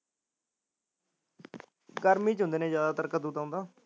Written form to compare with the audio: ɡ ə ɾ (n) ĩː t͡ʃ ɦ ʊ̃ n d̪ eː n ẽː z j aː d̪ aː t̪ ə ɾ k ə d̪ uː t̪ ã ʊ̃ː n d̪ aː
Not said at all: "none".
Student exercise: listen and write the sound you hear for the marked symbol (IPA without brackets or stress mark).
m